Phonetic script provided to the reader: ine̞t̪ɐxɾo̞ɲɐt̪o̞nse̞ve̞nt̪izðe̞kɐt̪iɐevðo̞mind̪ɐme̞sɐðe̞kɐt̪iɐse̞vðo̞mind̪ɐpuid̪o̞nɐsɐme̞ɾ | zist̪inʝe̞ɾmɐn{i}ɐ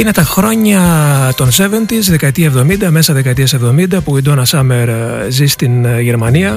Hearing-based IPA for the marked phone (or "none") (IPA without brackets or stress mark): i